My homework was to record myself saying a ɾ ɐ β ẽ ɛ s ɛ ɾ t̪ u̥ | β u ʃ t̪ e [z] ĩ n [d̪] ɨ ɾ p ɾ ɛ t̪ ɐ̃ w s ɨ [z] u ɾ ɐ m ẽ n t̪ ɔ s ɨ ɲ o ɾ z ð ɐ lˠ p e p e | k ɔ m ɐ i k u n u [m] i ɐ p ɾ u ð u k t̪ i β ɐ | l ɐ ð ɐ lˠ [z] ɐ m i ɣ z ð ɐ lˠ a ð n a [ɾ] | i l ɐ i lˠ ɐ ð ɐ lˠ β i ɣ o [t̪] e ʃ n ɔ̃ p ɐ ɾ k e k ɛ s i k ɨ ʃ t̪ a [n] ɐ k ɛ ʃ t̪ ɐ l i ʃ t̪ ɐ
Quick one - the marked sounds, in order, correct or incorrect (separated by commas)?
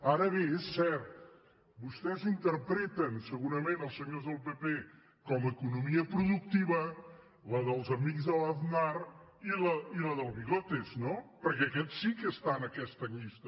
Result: correct, incorrect, incorrect, correct, correct, correct, correct, correct